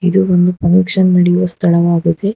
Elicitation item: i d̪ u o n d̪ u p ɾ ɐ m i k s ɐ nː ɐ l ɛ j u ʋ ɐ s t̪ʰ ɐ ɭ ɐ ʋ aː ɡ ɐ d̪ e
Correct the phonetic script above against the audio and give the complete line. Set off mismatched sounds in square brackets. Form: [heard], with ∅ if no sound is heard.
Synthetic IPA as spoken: i d̪ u o n d̪ u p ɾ ɐ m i k [ʂ] ɐ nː ɐ [ɽ] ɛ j u ʋ ɐ s t̪ʰ ɐ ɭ ɐ ʋ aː ɡ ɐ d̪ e